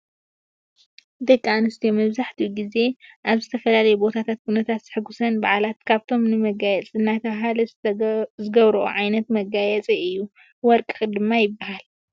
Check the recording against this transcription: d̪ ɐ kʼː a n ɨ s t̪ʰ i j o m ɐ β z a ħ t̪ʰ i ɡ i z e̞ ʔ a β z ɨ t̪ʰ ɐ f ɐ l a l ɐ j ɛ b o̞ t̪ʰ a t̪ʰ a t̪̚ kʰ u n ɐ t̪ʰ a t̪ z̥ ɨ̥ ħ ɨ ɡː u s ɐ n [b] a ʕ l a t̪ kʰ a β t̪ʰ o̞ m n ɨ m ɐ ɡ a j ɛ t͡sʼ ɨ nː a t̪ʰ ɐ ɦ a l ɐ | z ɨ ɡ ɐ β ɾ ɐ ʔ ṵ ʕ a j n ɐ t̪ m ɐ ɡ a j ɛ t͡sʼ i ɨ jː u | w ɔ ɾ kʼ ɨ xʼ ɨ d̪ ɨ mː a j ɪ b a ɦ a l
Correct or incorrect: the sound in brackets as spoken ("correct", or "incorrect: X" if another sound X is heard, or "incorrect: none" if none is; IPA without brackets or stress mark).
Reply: correct